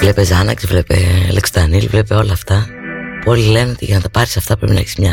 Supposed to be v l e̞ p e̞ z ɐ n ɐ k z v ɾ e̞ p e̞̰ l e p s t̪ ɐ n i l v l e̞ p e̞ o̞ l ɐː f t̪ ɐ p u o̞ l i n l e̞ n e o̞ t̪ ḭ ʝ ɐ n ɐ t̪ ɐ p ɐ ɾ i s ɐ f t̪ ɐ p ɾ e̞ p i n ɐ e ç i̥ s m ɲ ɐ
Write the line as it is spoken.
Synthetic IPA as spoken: v l e̞ p e̞ z ɐ n ɐ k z v l e̞ p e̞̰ l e k s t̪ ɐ n i l v l e̞ p e̞ o̞ l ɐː f t̪ ɐ p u o̞ l i l e̞ n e o̞ t̪ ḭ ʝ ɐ n ɐ t̪ ɐ p ɐ ɾ i s ɐ f t̪ ɐ p ɾ e̞ p i n ɐ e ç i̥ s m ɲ ɐ